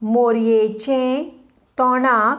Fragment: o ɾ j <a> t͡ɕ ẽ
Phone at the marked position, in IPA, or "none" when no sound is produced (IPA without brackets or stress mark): e